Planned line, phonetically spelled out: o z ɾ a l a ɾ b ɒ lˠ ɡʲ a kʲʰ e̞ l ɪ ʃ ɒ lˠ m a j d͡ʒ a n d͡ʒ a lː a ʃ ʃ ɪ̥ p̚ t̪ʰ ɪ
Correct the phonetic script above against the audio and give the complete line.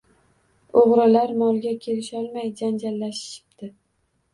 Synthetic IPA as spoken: o ʁ ɾ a l a ɾ m ɒ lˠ ɡʲ a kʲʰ e̞ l ɪ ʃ ɒ lˠ m a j d͡ʒ a n d͡ʒ a lː a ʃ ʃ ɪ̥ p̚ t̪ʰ ɪ